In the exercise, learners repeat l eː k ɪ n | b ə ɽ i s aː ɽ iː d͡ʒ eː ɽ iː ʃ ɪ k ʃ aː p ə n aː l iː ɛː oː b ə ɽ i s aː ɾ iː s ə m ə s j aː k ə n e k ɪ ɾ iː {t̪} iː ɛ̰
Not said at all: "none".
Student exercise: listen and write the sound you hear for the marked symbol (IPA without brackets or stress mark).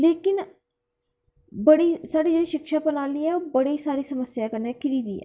d̪